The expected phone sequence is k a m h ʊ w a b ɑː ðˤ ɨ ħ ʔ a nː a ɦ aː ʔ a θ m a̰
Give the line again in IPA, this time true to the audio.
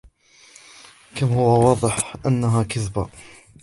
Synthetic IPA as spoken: k a m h ʊ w a w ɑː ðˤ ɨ ħ ʔ a nː a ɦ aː k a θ b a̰